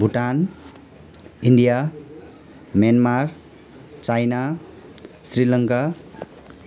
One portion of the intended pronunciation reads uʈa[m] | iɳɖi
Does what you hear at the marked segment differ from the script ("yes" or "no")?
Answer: yes